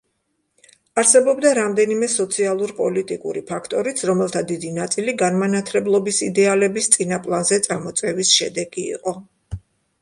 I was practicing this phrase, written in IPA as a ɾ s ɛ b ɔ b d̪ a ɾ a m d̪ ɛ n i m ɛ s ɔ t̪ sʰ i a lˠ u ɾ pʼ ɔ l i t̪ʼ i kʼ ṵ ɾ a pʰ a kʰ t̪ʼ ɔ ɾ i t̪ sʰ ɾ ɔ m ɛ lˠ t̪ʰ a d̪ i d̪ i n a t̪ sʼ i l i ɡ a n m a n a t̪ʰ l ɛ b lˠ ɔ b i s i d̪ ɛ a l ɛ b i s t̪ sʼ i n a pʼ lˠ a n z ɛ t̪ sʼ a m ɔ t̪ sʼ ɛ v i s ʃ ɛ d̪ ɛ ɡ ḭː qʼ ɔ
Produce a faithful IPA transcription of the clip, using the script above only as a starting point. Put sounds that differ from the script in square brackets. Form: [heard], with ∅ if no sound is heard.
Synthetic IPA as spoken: a ɾ s ɛ b ɔ b d̪ a ɾ a m d̪ ɛ n i m ɛ s ɔ t̪ sʰ i a lˠ u ɾ pʼ ɔ l i t̪ʼ i kʼ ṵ ɾ [i] pʰ a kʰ t̪ʼ ɔ ɾ i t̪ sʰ ɾ ɔ m ɛ lˠ t̪ʰ a d̪ i d̪ i n a t̪ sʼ i l i ɡ a n m a n a t̪ʰ l ɛ b lˠ ɔ b i s i d̪ ɛ a l ɛ b i s t̪ sʼ i n a pʼ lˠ a n z ɛ t̪ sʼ a m ɔ t̪ sʼ ɛ v i s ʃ ɛ d̪ ɛ ɡ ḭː qʼ ɔ

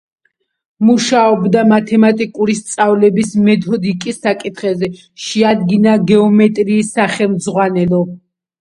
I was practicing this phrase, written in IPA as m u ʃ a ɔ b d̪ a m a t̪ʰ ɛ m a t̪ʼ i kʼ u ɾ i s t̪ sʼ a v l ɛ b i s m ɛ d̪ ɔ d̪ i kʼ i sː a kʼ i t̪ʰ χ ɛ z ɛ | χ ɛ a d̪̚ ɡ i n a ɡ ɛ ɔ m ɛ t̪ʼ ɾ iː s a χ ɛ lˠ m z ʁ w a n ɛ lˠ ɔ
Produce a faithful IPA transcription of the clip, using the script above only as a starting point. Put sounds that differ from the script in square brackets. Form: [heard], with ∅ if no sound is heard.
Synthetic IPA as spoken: m u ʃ a ɔ b d̪ a m a t̪ʰ ɛ m a t̪ʼ i kʼ u ɾ i s t̪ sʼ a v l ɛ b i s m ɛ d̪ ɔ d̪ i kʼ i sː a kʼ i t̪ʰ χ ɛ z ɛ | [ʃ] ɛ a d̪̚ ɡ i n a ɡ ɛ ɔ m ɛ t̪ʼ ɾ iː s a χ ɛ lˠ m z ʁ w a n ɛ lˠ ɔ

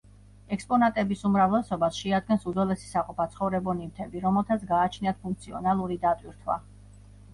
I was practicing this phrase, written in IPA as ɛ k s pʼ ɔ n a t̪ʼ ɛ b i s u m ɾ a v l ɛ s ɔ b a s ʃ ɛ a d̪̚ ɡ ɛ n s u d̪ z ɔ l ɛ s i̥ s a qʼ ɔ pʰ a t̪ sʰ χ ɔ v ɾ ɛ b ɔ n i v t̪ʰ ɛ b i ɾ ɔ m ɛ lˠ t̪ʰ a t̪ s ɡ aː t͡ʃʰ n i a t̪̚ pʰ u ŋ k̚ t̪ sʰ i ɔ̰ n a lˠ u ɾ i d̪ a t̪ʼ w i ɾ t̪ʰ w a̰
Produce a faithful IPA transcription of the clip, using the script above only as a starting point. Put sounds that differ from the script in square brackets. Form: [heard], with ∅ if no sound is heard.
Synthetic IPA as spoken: ɛ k s pʼ ɔ n a t̪ʼ ɛ b i s u m ɾ a v l ɛ s ɔ b a s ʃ ɛ a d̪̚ ɡ ɛ n s u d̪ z ɔ l ɛ s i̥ s a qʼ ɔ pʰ a t̪ sʰ χ ɔ v ɾ ɛ b ɔ n i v t̪ʰ ɛ b i ɾ ɔ m ɛ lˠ t̪ʰ a t̪ s ɡ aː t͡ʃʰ n i a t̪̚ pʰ u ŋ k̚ t̪ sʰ i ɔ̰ n a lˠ u ɾ i d̪ a t̪ʼ w i ɾ t̪ʰ w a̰

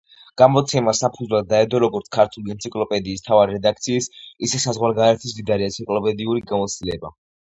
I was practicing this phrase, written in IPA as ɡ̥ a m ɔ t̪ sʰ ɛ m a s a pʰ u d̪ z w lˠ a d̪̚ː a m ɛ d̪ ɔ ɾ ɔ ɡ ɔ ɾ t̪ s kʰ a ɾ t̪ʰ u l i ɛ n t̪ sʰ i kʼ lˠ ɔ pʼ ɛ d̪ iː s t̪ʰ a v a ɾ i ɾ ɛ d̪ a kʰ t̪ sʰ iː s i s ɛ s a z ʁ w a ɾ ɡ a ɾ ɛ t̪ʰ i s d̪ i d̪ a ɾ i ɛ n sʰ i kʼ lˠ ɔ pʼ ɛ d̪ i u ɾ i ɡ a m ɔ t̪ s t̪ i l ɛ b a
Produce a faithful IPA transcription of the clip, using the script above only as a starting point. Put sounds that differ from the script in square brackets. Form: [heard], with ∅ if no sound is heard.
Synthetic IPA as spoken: ɡ̥ a m ɔ t̪ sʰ ɛ m a s a pʰ u d̪ z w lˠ a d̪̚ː a [∅] ɛ d̪ ɔ ɾ ɔ ɡ ɔ ɾ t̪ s kʰ a ɾ t̪ʰ u l i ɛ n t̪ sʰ i kʼ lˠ ɔ pʼ ɛ d̪ iː s t̪ʰ a v a ɾ i ɾ ɛ d̪ a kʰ t̪ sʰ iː s i s ɛ s a z ʁ w a ɾ ɡ a ɾ ɛ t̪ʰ i s d̪ i d̪ a ɾ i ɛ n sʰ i kʼ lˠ ɔ pʼ ɛ d̪ i u ɾ i ɡ a m ɔ t̪ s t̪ i l ɛ b a

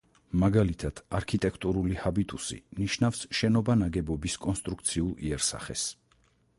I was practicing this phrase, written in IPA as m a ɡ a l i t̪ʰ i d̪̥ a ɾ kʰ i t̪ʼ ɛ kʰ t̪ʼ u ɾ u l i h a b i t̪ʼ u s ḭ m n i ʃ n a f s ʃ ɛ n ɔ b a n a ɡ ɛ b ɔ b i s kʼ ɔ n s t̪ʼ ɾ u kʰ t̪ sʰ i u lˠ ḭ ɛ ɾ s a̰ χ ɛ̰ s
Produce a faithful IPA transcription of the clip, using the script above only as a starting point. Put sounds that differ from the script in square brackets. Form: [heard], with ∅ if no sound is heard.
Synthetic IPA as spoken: m a ɡ a l i t̪ʰ [a] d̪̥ a ɾ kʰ i t̪ʼ ɛ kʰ t̪ʼ u ɾ u l i h a b i t̪ʼ u s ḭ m n i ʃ n a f s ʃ ɛ n ɔ b a n a ɡ ɛ b ɔ b i s kʼ ɔ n s t̪ʼ ɾ u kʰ t̪ sʰ i u lˠ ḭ ɛ ɾ s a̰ χ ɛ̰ s

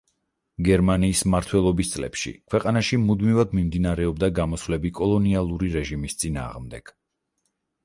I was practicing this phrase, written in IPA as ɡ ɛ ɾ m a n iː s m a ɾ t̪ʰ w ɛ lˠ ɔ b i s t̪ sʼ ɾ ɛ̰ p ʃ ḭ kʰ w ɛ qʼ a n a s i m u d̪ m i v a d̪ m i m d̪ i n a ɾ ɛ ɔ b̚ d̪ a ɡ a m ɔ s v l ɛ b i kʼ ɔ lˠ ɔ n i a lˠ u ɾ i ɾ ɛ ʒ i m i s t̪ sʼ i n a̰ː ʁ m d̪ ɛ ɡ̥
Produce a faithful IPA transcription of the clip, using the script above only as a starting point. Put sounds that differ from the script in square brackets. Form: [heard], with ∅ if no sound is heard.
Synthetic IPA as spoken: ɡ ɛ ɾ m a n iː s m a ɾ t̪ʰ w ɛ lˠ ɔ b i s t̪ sʼ [l] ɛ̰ p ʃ ḭ kʰ w ɛ qʼ a n a [ʃ] i m u d̪ m i v a d̪ m i m d̪ i n a ɾ ɛ ɔ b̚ d̪ a ɡ a m ɔ s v l ɛ b i kʼ ɔ lˠ ɔ n i a lˠ u ɾ i ɾ ɛ ʒ i m i s t̪ sʼ i n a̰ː ʁ m d̪ ɛ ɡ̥

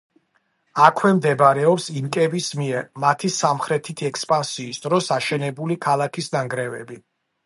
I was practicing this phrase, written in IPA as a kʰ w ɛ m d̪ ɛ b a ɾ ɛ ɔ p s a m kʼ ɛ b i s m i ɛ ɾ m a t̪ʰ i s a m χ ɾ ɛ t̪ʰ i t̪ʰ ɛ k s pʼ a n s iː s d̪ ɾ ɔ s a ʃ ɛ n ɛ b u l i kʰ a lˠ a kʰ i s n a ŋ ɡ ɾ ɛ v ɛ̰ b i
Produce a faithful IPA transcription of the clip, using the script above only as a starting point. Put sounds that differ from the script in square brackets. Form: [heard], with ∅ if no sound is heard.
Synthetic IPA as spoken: a kʰ w ɛ m d̪ ɛ b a ɾ ɛ ɔ p s [i] m kʼ ɛ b i s m i ɛ ɾ m a t̪ʰ i s a m χ ɾ ɛ t̪ʰ i t̪ʰ ɛ k s pʼ a n s iː s d̪ ɾ ɔ s a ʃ ɛ n ɛ b u l i kʰ a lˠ a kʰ i s n a ŋ ɡ ɾ ɛ v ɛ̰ b i

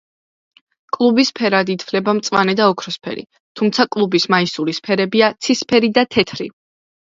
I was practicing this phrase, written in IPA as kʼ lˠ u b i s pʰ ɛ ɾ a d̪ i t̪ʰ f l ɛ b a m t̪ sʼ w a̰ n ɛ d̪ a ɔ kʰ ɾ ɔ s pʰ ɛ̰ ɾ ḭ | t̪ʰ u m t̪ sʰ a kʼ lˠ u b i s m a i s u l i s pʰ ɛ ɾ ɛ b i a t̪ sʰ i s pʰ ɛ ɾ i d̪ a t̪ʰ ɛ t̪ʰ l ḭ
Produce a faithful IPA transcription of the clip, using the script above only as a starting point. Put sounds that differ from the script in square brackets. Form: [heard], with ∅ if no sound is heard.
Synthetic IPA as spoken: kʼ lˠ u b i s pʰ ɛ ɾ a d̪ i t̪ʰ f l ɛ b a m t̪ sʼ w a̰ n ɛ d̪ a ɔ kʰ ɾ ɔ s pʰ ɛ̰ ɾ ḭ | t̪ʰ u m t̪ sʰ a kʼ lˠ u b i s m a i s u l i s pʰ ɛ ɾ ɛ b i a t̪ sʰ i s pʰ ɛ ɾ i d̪ a t̪ʰ ɛ t̪ʰ [ɾ] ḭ

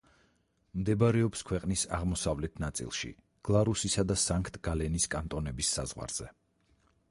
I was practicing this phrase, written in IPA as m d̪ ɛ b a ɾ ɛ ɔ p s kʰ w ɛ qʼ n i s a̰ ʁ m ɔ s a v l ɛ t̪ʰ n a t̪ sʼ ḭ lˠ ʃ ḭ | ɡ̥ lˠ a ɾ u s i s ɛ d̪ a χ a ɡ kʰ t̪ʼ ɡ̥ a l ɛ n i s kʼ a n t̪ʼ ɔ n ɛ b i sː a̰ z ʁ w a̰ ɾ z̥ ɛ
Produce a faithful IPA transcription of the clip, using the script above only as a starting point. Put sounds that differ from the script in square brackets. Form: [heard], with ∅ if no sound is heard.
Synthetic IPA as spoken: m d̪ ɛ b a ɾ ɛ ɔ p s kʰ w ɛ qʼ n i s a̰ ʁ m ɔ s a v l ɛ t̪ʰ n a t̪ sʼ ḭ lˠ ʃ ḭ | ɡ̥ lˠ a ɾ u s i s [a] d̪ a [s] a [ŋ] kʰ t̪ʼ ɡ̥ a l ɛ n i s kʼ a n t̪ʼ ɔ n ɛ b i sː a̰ z ʁ w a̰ ɾ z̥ ɛ

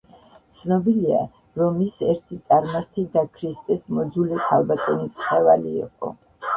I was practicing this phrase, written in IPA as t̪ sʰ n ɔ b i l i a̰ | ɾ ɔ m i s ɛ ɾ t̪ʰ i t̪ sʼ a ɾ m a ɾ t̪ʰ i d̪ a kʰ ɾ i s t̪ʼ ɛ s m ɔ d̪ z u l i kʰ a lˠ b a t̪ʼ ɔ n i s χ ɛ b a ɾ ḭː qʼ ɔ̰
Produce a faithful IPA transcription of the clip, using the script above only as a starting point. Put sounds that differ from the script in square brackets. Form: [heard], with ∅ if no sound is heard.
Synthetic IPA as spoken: t̪ sʰ n ɔ b i l i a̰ | ɾ ɔ m i s ɛ ɾ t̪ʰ i t̪ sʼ a ɾ m a ɾ t̪ʰ i d̪ a kʰ ɾ i s t̪ʼ ɛ s m ɔ d̪ z u l i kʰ a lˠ b a t̪ʼ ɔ n i s χ ɛ [v] a [l] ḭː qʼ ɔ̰

